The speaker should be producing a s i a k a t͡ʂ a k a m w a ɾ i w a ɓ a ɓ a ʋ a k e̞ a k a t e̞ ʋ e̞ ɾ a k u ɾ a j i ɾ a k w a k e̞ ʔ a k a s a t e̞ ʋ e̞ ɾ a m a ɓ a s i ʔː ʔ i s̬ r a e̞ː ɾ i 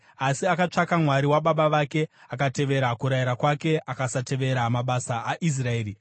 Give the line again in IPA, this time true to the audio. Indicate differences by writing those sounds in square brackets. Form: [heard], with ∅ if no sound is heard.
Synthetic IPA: a s i a k a t͡ʂ a k a m w a ɾ i w a ɓ a ɓ a ʋ a k e̞ a k a t e̞ ʋ e̞ ɾ a k u ɾ a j i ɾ a k w a k e̞ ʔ a k a s a t e̞ ʋ e̞ ɾ a m a ɓ a s [a] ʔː ʔ i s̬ r a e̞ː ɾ i